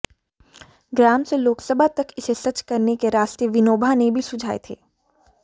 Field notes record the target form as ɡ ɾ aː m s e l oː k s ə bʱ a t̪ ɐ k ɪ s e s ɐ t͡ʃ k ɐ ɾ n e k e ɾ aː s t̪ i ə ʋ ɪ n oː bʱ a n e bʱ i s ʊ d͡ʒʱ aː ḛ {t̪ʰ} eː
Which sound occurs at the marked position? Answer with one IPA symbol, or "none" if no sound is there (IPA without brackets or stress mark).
t̪ʰ